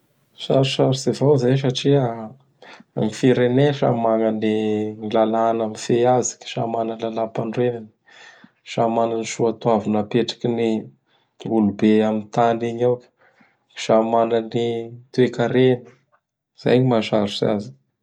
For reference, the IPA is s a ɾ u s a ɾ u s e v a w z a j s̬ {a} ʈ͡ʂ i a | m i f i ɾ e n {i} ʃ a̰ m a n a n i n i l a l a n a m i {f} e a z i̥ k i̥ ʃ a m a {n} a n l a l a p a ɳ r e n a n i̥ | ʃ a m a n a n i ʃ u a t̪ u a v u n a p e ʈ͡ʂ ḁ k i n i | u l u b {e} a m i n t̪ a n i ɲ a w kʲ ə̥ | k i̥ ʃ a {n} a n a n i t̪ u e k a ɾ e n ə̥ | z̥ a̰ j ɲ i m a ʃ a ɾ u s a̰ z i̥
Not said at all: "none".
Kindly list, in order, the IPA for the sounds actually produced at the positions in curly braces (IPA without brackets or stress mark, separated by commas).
a, e, f, n, e, m